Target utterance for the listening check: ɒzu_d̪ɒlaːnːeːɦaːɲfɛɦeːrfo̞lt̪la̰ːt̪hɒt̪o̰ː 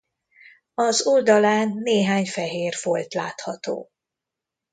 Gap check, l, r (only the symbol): l